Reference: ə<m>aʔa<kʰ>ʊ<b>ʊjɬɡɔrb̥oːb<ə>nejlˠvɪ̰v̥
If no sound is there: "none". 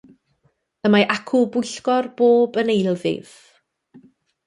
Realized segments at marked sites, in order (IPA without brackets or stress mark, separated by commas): m, kʰ, b, ə